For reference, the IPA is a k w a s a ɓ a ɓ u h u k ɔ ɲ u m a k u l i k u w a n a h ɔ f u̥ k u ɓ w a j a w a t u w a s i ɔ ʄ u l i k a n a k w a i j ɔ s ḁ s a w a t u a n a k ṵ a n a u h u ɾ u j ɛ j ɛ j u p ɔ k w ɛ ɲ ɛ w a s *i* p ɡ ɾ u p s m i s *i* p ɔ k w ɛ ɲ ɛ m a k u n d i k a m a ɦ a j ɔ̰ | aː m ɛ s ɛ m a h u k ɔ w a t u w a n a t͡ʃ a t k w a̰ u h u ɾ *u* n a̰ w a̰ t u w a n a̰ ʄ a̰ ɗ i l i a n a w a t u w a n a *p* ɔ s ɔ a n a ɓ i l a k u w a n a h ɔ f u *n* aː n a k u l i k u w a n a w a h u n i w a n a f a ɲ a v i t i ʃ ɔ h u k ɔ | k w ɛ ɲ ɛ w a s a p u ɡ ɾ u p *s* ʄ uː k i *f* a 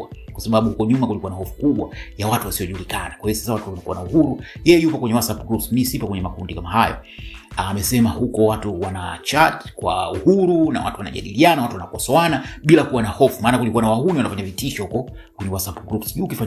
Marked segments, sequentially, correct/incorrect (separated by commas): incorrect, correct, correct, incorrect, incorrect, correct, correct